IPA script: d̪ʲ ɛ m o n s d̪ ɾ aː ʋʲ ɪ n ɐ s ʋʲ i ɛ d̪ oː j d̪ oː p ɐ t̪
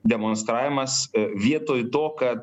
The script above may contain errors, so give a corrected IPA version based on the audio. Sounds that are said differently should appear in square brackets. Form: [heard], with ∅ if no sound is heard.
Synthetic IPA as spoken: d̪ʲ ɛ m o n s [t̪] ɾ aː ʋʲ ɪ [m] ɐ s ʋʲ i ɛ [t̪] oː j [t̪] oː [k] ɐ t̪